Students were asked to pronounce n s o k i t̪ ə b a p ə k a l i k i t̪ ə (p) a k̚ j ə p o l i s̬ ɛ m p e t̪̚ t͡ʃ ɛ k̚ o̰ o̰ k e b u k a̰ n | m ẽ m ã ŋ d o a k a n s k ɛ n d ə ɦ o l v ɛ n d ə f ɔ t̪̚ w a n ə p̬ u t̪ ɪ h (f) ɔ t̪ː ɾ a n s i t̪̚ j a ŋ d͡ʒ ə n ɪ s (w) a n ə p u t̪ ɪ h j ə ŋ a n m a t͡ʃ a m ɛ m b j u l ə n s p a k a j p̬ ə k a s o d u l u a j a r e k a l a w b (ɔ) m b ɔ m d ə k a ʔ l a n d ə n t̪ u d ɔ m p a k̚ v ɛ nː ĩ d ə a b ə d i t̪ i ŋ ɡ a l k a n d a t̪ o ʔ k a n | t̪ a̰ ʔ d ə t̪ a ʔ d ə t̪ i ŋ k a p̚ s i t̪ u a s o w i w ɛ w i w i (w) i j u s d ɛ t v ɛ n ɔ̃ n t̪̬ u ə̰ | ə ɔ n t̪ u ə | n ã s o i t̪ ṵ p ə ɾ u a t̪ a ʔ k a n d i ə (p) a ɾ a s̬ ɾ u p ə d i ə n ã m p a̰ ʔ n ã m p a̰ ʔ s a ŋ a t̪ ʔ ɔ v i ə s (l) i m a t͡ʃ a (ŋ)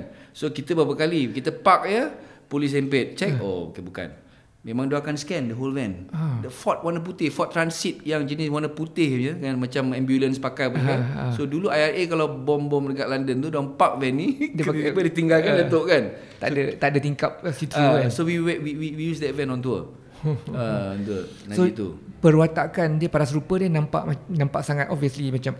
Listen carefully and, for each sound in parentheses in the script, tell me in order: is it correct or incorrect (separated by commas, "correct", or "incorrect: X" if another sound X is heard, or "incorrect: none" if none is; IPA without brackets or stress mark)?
correct, correct, correct, correct, correct, correct, correct, incorrect: m